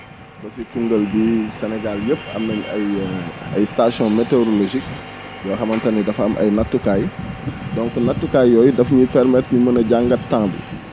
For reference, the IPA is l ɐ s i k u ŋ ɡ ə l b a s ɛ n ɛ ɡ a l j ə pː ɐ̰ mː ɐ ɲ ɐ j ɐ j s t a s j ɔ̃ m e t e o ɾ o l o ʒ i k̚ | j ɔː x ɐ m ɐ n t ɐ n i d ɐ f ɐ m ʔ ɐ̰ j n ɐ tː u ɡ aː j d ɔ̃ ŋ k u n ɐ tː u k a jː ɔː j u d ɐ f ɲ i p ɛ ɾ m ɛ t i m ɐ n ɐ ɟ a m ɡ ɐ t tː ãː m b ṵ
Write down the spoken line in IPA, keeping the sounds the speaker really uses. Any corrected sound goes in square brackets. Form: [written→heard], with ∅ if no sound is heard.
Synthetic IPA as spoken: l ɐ s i k u ŋ ɡ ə l b [a→i] s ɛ n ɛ ɡ a l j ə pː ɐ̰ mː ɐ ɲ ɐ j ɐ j s t a s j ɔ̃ m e t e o ɾ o l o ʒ i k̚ | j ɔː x ɐ m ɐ n t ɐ n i d ɐ f ɐ m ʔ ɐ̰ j n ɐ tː u [ɡ→k] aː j d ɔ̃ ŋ k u n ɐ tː u k a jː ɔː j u d ɐ f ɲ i p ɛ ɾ m ɛ t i m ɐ n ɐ ɟ a [m→ŋ] ɡ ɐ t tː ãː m b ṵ